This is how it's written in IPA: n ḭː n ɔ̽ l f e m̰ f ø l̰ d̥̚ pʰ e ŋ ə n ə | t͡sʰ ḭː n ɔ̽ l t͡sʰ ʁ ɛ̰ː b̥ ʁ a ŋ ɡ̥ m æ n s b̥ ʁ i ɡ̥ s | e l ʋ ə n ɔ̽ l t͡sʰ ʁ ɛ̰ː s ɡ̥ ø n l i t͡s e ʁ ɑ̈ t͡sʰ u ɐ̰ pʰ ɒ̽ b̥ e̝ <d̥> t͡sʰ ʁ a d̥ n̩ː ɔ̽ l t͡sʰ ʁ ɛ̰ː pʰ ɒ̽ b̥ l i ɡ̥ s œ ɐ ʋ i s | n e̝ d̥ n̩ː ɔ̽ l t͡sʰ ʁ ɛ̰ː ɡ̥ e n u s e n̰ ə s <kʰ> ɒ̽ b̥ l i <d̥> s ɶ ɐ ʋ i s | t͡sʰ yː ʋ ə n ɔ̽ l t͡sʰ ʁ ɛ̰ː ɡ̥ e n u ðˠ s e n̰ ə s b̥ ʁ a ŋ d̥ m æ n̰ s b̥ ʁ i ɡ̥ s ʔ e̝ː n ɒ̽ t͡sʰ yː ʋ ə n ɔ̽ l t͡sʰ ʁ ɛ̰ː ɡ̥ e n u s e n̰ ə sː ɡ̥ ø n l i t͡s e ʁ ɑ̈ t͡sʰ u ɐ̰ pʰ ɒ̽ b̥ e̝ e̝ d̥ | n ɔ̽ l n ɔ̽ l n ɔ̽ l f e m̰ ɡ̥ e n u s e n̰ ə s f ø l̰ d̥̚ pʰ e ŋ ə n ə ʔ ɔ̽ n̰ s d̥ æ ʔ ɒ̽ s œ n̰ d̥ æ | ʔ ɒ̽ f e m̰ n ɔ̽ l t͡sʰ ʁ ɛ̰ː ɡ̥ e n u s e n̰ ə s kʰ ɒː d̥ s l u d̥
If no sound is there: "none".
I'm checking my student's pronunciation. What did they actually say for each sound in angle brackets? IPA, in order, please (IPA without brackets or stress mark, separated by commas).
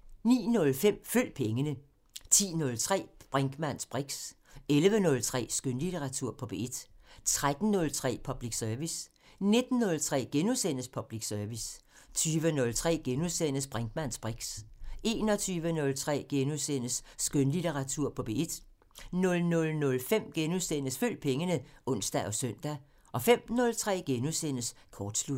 d̥, pʰ, ɡ̥